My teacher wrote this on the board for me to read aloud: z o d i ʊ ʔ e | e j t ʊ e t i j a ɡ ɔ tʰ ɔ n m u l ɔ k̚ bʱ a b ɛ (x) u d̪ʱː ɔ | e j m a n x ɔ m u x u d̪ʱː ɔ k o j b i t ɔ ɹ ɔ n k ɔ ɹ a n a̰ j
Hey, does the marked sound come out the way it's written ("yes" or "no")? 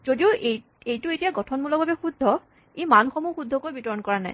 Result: yes